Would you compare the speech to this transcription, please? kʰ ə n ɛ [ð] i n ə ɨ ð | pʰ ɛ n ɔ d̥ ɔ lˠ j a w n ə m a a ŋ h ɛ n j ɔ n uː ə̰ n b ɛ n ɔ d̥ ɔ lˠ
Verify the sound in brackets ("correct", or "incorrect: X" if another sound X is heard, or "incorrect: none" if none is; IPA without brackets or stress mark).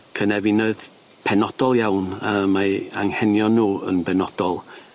incorrect: v